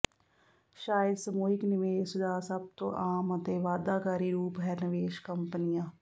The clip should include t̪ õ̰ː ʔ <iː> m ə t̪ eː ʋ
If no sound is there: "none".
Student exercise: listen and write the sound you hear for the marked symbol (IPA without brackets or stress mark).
aː